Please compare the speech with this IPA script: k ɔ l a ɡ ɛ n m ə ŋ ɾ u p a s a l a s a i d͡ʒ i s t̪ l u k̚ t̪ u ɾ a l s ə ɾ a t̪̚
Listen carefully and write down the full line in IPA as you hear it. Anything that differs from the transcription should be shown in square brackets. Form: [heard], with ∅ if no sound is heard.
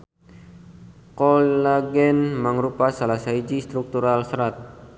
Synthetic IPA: k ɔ l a ɡ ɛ n m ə ŋ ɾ u p a s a l a s a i d͡ʒ i s t̪ [ɾ] u k̚ t̪ u ɾ a l s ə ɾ a t̪̚